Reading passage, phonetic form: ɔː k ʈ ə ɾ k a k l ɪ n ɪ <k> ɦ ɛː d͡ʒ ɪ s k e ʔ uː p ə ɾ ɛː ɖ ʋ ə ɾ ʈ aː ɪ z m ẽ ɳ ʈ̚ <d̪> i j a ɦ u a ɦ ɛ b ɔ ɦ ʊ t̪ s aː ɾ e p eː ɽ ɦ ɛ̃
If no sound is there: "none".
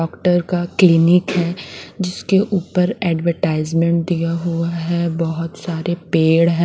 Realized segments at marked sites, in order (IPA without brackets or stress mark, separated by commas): k, d̪